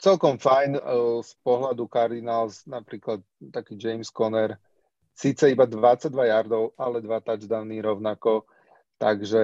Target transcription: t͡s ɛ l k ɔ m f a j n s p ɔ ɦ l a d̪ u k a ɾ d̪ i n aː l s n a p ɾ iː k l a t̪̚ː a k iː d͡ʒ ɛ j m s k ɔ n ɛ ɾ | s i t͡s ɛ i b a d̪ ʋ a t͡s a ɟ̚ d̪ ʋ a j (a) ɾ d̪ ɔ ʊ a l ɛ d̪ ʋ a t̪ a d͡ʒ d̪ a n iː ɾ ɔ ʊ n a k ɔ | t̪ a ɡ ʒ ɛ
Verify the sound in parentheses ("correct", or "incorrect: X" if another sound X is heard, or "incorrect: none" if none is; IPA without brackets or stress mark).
correct